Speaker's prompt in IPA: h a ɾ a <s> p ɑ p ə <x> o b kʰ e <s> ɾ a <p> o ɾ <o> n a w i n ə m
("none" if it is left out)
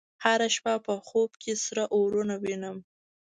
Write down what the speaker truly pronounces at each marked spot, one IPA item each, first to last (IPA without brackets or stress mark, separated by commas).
ʃ, x, s, ʔ, u